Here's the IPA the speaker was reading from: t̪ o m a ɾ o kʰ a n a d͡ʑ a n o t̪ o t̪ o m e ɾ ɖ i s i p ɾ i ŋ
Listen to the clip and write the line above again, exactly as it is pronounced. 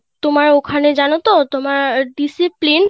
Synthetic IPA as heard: t̪ o m a ɾ o kʰ a n e d͡ʑ a n o t̪ o t̪ o m a ɾ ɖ i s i p l i n